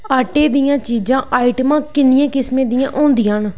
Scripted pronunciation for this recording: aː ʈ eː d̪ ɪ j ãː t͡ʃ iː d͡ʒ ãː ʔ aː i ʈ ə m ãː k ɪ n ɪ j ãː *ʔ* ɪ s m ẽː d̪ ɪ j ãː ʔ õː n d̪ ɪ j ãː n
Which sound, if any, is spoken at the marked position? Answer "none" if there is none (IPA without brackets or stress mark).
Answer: k